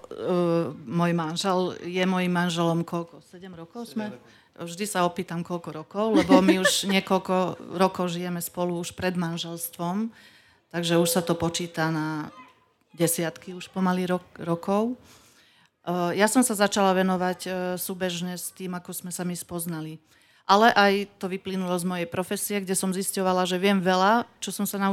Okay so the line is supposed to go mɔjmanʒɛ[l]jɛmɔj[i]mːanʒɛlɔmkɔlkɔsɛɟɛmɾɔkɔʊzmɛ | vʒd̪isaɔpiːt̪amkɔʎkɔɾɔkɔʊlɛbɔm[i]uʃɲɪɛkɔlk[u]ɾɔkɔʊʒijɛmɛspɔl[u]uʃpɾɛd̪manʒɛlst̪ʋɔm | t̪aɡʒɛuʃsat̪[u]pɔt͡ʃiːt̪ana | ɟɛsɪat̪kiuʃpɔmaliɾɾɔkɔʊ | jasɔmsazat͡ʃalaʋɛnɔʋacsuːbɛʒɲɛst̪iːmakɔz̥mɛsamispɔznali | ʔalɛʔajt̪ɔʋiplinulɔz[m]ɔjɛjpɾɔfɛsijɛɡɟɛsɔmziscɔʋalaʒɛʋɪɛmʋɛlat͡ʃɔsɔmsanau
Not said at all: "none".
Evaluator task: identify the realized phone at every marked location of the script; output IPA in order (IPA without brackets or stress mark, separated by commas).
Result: l, i, i, ɔ, u, ɔ, m